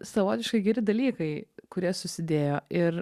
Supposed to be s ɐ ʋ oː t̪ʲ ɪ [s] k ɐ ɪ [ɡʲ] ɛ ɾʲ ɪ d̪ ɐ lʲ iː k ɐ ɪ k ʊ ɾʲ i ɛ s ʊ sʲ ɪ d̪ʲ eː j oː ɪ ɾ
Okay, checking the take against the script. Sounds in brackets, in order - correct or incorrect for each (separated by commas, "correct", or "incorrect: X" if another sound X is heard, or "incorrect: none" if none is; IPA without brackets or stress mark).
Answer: incorrect: ʃ, correct